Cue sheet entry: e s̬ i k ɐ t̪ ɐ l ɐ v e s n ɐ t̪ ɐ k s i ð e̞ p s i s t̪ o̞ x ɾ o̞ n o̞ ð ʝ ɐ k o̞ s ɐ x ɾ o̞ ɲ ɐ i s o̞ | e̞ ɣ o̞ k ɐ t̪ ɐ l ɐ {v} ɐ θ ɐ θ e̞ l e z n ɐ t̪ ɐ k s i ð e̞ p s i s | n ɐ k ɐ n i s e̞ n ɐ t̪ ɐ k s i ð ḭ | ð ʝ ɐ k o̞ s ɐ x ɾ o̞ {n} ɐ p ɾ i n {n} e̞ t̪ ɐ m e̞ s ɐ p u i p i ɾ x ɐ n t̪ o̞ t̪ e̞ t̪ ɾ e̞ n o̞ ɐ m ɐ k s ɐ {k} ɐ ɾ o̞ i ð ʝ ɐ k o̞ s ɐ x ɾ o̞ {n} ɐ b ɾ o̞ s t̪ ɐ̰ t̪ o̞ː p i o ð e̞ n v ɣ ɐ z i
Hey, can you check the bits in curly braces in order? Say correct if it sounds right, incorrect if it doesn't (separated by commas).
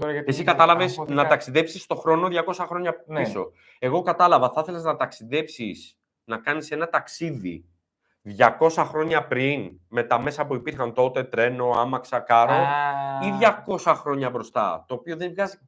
correct, incorrect, incorrect, correct, incorrect